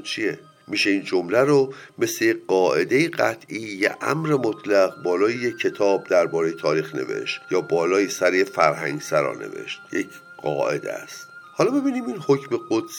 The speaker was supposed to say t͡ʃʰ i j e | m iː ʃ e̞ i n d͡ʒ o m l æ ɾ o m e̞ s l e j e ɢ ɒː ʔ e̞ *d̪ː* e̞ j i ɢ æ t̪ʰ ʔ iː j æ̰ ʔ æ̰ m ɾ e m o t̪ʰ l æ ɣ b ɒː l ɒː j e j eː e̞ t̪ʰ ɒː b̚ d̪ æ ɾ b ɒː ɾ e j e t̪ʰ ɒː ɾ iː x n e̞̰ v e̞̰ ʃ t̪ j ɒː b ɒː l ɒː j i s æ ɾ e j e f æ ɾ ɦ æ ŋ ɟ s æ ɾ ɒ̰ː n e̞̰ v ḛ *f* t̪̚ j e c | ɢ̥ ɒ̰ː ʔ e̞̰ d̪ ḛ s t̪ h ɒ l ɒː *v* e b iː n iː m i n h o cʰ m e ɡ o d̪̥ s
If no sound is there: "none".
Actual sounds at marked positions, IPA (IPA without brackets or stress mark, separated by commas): d̪, ʃ, b